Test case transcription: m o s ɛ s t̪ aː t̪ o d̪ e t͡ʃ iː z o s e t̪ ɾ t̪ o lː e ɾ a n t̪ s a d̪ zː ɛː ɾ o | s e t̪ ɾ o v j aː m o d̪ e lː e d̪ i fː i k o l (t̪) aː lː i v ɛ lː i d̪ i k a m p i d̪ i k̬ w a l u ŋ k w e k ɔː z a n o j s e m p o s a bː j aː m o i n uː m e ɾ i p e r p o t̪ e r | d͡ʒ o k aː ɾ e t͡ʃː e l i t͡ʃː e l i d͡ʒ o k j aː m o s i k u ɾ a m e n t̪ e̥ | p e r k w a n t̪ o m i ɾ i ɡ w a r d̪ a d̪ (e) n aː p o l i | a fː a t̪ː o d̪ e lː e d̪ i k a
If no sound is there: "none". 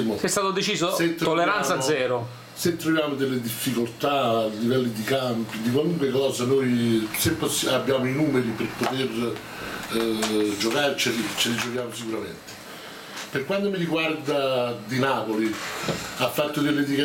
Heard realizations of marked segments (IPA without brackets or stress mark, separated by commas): t̪, i